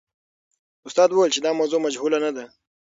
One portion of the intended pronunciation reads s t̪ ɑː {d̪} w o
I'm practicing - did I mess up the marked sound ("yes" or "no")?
no